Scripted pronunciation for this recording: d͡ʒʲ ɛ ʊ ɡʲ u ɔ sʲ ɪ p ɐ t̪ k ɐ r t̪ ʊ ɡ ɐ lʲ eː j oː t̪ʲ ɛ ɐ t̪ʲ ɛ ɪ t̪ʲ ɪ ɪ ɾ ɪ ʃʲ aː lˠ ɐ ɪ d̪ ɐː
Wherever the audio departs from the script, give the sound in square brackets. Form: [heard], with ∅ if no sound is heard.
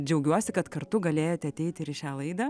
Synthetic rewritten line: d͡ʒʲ ɛ ʊ ɡʲ u ɔ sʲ ɪ [k] ɐ t̪ k ɐ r t̪ ʊ ɡ ɐ lʲ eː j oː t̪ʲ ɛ ɐ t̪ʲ ɛ ɪ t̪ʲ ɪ ɪ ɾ ɪ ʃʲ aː lˠ ɐ ɪ d̪ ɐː